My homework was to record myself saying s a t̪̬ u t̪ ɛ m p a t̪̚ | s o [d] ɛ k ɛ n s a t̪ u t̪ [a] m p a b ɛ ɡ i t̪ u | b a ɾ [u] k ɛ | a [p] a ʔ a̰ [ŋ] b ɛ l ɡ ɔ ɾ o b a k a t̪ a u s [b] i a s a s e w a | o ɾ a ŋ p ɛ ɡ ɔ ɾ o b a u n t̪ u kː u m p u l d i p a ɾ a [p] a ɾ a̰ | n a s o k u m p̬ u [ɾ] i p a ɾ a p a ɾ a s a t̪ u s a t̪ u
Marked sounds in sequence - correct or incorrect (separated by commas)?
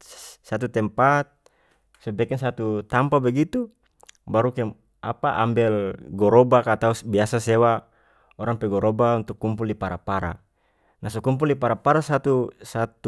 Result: incorrect, correct, correct, correct, incorrect, correct, correct, incorrect